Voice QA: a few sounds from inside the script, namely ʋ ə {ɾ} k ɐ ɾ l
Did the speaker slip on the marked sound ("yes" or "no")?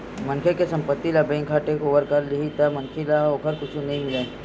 no